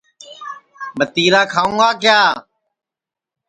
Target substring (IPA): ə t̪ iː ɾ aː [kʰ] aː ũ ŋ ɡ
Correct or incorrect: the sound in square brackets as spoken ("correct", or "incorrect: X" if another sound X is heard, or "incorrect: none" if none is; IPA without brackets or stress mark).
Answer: correct